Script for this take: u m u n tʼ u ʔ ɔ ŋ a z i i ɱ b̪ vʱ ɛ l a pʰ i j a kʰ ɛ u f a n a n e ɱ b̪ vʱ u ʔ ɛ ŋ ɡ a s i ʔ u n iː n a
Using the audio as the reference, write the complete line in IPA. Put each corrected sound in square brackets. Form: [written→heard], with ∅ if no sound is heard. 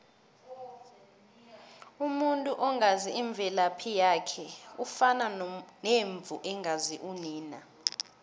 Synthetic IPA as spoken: u m u n tʼ u ʔ ɔ ŋ a z i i ɱ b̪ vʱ ɛ l a pʰ i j a kʰ ɛ u f a n a n e ɱ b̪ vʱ u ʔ ɛ ŋ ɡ a [s→z] i ʔ u n iː n a